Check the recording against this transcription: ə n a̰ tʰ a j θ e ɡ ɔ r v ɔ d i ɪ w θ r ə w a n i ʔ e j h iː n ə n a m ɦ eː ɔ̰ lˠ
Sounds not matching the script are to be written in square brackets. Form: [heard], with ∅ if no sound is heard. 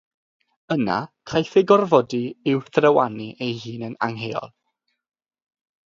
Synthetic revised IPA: ə n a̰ [kʰ] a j θ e ɡ ɔ r v ɔ d i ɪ w θ r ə w a n i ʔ e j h iː n ə n a [ŋ] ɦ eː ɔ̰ lˠ